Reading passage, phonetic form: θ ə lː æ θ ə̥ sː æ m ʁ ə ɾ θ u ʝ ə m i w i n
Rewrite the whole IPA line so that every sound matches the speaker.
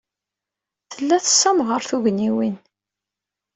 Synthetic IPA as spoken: θ ə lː æ θ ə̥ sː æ m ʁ ə ɾ θ u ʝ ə n i w i n